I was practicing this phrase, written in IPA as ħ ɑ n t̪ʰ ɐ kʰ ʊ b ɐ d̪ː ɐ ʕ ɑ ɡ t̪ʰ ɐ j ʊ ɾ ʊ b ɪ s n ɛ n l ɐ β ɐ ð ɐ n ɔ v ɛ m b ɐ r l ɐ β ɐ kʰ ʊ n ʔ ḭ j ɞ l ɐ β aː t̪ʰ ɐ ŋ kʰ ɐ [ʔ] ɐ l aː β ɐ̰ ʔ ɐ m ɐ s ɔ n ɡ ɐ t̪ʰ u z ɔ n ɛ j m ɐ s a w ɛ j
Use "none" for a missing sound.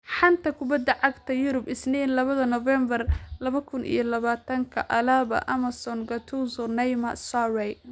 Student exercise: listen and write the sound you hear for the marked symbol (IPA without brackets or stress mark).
ʔ